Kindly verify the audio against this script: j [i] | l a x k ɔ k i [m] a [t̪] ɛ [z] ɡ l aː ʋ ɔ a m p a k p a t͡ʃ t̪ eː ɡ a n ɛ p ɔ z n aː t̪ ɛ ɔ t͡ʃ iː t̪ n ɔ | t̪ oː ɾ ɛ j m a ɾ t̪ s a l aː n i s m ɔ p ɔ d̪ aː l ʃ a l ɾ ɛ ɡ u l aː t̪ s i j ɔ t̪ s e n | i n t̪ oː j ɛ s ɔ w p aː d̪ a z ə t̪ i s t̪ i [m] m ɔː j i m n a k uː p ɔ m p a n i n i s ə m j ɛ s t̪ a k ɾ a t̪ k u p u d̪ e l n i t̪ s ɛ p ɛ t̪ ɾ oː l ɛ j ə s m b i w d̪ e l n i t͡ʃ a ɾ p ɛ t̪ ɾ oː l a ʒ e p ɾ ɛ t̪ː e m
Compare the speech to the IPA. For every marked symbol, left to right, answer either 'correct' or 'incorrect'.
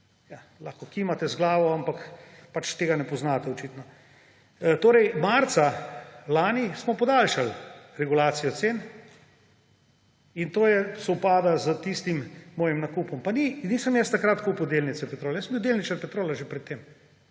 incorrect, correct, correct, correct, correct

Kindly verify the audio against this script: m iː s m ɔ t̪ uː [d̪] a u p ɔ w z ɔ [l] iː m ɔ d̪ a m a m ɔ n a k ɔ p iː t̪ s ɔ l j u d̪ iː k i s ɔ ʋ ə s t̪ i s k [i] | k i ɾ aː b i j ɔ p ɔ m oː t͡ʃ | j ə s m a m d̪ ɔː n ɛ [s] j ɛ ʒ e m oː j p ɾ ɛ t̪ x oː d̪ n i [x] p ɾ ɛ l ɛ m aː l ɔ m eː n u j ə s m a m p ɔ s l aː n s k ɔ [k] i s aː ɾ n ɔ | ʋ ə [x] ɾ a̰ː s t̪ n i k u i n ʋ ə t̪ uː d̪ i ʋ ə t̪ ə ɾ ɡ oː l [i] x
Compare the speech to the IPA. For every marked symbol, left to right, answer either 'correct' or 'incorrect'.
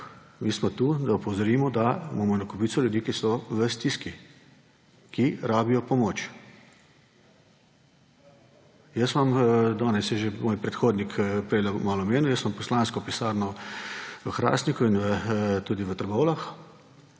correct, incorrect, correct, correct, incorrect, incorrect, correct, incorrect

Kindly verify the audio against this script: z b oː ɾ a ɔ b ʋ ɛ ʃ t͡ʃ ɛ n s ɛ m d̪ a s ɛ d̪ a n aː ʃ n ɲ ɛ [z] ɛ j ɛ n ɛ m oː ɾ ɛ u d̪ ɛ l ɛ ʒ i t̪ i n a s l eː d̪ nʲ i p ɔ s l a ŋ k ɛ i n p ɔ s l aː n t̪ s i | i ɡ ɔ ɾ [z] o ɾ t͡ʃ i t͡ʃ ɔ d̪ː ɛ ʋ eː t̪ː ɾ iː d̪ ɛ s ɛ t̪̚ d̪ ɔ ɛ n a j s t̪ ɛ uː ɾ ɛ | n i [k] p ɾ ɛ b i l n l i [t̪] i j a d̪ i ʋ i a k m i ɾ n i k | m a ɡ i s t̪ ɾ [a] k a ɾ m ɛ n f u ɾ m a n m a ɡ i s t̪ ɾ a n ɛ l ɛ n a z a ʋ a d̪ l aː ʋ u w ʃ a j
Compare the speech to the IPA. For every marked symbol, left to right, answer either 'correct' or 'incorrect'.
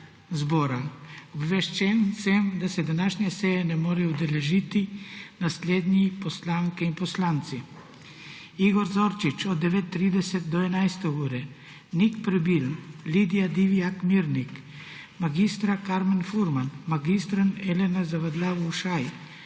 incorrect, correct, correct, incorrect, correct

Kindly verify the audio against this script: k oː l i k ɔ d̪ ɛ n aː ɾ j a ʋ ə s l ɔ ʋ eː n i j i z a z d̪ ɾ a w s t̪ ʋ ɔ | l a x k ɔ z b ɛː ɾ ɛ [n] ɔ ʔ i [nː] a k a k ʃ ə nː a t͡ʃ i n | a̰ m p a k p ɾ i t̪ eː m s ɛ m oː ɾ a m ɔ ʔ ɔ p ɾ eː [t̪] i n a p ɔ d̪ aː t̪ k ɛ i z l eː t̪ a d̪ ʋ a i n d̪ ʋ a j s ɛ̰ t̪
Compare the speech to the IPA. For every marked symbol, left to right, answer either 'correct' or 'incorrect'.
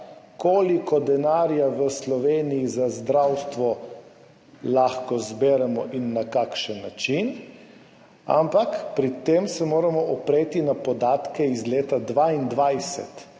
incorrect, correct, correct

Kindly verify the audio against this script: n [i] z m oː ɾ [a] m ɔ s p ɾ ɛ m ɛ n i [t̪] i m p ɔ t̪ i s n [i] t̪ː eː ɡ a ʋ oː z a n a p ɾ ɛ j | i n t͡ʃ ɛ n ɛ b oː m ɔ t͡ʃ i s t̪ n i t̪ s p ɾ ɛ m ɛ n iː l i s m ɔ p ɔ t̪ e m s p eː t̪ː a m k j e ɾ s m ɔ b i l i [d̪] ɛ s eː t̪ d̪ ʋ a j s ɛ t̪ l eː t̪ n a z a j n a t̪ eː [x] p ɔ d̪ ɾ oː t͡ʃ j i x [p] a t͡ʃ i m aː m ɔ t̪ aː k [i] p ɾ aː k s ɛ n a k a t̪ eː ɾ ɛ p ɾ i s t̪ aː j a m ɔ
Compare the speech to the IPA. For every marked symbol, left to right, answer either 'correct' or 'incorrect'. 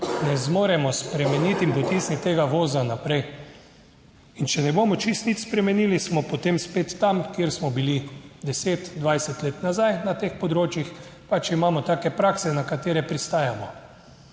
incorrect, incorrect, correct, correct, correct, correct, correct, incorrect

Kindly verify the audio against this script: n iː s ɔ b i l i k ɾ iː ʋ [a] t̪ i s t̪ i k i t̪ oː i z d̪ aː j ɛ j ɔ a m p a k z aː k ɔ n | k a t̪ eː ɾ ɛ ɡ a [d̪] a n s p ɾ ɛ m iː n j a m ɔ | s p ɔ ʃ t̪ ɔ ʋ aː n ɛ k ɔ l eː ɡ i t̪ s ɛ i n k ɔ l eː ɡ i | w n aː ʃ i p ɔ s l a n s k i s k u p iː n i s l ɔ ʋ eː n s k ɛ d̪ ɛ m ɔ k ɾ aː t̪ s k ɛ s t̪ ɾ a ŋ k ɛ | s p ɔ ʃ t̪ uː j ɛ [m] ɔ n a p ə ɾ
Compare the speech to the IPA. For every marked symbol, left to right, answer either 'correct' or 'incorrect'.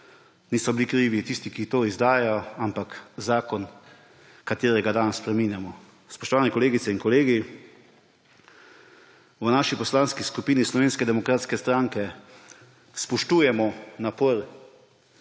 incorrect, correct, correct

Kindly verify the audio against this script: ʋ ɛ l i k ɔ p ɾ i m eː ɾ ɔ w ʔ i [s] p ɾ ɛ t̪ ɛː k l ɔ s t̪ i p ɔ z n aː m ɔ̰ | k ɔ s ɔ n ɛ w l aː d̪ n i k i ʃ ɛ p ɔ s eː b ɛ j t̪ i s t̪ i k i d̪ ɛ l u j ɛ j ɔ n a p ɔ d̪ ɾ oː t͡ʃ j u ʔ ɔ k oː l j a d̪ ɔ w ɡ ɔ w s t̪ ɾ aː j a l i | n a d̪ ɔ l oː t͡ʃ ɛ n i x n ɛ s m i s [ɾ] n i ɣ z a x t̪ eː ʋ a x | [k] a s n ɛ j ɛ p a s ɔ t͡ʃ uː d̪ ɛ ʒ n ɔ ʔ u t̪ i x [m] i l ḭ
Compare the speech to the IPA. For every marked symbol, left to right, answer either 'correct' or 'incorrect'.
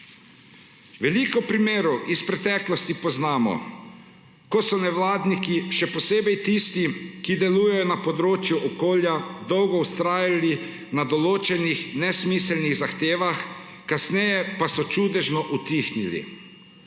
correct, incorrect, correct, incorrect

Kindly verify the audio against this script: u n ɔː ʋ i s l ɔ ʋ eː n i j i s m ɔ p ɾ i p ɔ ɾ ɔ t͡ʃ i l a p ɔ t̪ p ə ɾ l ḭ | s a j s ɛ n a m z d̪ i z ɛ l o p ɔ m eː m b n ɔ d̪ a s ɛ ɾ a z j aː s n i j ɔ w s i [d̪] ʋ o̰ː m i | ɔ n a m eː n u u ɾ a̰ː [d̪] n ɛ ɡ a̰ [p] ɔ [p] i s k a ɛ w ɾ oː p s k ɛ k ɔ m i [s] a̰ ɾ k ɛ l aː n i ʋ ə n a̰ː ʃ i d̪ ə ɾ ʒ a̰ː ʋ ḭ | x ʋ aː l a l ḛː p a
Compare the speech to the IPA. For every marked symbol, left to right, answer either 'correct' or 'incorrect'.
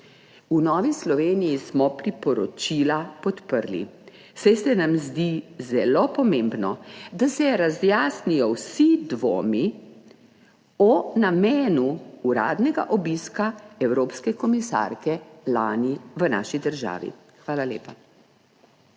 correct, correct, incorrect, incorrect, correct

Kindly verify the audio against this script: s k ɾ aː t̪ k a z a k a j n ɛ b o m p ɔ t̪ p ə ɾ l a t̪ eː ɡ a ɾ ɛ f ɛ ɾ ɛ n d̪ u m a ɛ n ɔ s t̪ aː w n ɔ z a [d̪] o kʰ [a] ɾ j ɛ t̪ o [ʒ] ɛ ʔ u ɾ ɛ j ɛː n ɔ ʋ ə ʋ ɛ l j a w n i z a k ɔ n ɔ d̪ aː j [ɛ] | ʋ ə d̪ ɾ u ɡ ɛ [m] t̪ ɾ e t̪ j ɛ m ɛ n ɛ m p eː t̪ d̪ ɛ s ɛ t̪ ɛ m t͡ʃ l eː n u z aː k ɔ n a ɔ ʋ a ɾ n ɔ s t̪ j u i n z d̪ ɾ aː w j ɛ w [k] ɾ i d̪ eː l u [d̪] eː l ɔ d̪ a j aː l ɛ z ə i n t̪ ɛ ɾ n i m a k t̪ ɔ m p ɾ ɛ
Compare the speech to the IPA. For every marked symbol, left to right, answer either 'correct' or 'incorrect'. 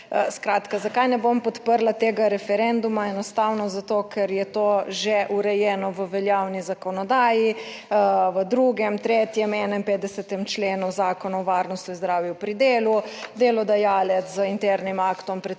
incorrect, incorrect, correct, incorrect, correct, incorrect, correct

